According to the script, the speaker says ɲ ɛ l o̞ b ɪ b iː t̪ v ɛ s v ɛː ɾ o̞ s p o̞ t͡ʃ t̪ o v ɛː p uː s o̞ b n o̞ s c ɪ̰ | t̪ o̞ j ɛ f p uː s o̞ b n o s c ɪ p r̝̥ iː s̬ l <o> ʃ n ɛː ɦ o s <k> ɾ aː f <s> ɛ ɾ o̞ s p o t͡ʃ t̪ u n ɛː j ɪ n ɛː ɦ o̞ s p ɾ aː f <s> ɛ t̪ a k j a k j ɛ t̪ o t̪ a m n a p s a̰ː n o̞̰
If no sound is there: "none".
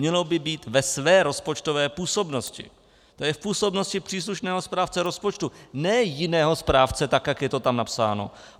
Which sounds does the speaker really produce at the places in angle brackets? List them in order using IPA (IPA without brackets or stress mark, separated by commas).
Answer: u, p, t͡s, t͡s